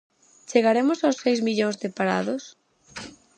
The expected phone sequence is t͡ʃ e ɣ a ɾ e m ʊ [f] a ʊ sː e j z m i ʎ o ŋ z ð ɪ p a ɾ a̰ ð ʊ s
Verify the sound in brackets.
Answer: incorrect: s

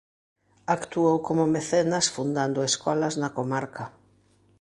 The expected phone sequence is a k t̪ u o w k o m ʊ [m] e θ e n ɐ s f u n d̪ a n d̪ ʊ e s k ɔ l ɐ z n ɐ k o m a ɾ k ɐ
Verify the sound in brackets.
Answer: correct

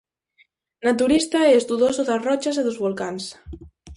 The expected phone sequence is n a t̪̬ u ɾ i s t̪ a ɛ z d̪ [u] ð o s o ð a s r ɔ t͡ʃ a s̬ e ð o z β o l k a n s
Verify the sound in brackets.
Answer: correct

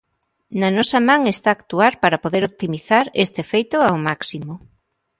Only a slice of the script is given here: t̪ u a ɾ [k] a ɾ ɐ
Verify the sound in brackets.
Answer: incorrect: p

